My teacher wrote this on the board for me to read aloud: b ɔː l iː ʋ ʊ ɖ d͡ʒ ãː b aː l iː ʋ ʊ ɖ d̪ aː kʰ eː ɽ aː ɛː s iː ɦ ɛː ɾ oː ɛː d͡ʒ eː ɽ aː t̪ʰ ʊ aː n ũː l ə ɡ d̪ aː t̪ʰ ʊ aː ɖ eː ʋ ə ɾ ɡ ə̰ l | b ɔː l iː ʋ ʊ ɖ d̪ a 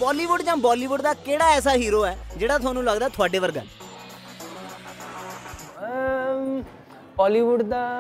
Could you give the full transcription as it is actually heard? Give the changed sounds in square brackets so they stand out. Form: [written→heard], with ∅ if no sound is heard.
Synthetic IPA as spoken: b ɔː l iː ʋ ʊ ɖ d͡ʒ ãː b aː l iː ʋ ʊ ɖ d̪ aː [kʰ→k] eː ɽ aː ɛː s [iː→aː] ɦ [ɛː→iː] ɾ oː ɛː d͡ʒ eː ɽ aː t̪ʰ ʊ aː n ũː l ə ɡ d̪ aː t̪ʰ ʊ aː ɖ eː ʋ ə ɾ ɡ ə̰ l | b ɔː l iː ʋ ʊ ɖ d̪ a